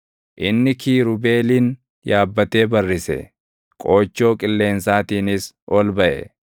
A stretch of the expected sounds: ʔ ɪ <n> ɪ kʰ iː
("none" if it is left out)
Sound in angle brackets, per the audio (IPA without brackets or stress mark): nː